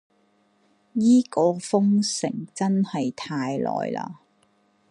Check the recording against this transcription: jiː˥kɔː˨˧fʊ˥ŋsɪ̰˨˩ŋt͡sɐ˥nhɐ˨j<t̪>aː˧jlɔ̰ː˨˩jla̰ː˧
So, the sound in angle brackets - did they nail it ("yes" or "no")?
no